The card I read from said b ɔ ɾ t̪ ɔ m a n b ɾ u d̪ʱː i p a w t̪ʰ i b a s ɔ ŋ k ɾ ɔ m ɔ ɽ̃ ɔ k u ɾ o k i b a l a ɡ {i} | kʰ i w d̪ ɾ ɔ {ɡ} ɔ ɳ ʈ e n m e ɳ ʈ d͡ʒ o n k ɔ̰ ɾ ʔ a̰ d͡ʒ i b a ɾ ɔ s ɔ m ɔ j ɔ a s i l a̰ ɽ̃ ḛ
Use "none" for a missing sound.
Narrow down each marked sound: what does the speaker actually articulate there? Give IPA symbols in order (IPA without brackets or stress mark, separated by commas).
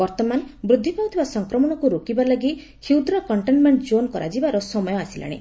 i, k